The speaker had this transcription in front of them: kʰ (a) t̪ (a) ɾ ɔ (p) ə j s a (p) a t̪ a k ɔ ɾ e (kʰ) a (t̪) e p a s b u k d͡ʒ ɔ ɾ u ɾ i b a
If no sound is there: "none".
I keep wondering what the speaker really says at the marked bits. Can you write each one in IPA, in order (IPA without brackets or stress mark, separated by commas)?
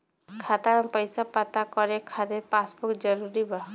a, a, p, p, kʰ, d̪